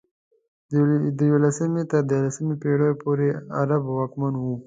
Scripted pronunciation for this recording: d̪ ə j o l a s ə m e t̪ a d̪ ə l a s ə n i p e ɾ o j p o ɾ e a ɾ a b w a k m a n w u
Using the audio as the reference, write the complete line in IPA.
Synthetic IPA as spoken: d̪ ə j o l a s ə m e t̪ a d̪ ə l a s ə m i p e ɽ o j p o ɾ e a ɾ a b w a k m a n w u